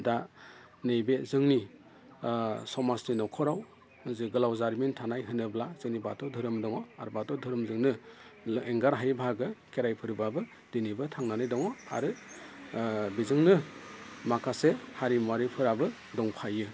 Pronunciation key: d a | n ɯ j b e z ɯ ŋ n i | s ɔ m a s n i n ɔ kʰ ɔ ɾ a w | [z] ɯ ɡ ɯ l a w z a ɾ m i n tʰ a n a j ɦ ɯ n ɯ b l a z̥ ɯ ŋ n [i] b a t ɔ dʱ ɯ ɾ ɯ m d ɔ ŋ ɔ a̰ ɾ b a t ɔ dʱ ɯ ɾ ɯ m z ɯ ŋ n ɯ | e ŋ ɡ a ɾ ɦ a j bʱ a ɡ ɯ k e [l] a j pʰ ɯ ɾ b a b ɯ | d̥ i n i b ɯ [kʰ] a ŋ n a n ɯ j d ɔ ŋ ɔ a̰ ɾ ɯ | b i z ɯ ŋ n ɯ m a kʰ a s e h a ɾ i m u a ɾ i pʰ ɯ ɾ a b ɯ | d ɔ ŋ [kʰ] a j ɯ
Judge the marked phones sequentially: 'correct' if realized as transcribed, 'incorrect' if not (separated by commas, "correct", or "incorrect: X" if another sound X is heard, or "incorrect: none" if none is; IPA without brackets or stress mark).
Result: correct, correct, incorrect: ɾ, incorrect: tʰ, incorrect: pʰ